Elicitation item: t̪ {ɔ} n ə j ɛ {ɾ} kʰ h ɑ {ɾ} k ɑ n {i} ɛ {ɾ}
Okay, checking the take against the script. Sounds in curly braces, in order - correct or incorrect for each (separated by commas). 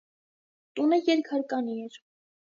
incorrect, correct, correct, correct, correct